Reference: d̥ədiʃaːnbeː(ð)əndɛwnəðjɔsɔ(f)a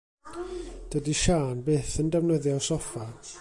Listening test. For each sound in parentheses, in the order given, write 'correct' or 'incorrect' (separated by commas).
incorrect, correct